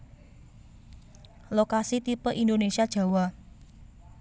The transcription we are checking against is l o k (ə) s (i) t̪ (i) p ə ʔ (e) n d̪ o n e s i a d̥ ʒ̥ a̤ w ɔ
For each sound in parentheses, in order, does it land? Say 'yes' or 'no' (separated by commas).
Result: no, yes, yes, no